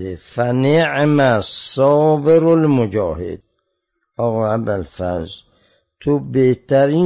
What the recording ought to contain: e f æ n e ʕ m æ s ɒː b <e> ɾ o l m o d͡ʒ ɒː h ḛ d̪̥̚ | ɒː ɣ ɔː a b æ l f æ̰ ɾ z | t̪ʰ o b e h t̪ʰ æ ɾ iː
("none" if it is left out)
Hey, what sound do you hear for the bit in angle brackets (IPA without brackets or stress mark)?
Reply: e